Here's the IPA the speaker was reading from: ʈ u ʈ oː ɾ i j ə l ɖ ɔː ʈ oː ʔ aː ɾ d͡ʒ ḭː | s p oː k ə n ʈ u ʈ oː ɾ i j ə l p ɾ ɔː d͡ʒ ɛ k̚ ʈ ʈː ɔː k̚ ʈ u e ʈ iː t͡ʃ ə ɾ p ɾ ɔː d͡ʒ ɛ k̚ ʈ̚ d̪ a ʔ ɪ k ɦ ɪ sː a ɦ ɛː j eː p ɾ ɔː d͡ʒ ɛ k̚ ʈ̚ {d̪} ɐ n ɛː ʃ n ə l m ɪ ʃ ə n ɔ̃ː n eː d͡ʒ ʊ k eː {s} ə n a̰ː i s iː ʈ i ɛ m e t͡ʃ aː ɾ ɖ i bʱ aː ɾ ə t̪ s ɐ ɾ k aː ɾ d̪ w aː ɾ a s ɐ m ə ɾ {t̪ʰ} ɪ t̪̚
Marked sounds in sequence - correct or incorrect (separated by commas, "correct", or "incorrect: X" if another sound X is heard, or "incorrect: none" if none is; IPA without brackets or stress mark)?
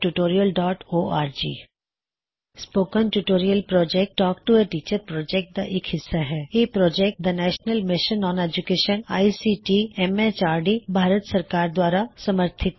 correct, incorrect: ʃ, correct